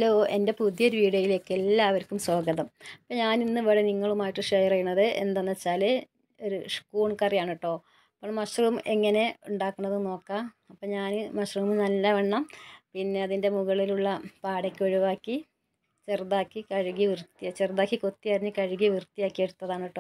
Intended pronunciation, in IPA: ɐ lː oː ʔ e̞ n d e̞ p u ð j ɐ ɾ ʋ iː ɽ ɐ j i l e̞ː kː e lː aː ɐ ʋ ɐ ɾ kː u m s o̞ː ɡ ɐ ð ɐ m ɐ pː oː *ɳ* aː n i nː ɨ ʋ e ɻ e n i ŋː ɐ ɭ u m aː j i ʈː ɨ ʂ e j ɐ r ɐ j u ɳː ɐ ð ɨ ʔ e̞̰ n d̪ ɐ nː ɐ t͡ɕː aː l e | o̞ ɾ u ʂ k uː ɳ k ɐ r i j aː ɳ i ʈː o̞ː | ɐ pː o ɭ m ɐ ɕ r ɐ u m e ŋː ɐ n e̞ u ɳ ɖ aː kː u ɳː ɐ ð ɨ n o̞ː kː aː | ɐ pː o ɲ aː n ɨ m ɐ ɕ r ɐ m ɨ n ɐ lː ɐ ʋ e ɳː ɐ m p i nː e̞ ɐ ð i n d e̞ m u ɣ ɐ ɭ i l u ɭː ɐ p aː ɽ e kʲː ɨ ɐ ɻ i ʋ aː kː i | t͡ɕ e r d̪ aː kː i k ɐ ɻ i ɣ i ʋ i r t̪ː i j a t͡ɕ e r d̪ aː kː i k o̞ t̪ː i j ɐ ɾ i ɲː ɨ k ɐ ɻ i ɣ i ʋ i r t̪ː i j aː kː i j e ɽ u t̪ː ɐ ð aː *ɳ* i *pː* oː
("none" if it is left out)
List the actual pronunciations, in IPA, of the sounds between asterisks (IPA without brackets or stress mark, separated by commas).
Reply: ɲ, ɳ, ʈː